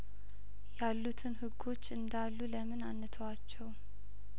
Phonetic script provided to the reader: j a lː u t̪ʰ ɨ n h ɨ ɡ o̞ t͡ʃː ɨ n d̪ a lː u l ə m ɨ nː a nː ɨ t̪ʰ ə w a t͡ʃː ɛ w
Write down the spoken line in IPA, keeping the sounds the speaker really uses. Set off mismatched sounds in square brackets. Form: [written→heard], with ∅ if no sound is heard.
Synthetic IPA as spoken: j a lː u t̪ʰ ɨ n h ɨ ɡ o̞ t͡ʃː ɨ n d̪ a lː u l ə m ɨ [nː→n] a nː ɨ t̪ʰ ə w a t͡ʃː ɛ w